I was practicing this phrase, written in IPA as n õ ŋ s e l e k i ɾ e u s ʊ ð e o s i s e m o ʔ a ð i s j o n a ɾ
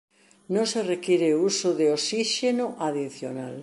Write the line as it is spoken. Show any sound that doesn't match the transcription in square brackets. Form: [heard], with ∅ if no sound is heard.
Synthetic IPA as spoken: n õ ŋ s e [r] e k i ɾ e u s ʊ ð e o s i [ʃ] e [n] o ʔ a ð i [θ] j o n a [l]